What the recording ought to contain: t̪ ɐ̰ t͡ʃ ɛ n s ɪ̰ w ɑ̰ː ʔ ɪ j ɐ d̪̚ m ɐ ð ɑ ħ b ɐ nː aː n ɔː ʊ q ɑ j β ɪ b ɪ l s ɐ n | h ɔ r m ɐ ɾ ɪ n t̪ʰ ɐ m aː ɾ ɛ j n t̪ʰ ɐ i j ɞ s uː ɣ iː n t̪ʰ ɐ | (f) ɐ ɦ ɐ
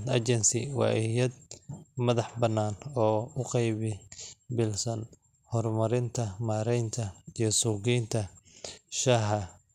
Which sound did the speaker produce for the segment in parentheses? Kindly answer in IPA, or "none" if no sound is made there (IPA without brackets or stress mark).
ʃ